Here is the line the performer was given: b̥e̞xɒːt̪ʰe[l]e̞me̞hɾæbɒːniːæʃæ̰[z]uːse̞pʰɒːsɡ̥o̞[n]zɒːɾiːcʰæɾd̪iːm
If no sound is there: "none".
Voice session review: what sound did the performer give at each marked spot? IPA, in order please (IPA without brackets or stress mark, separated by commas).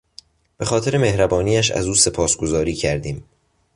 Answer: ɾ, z, none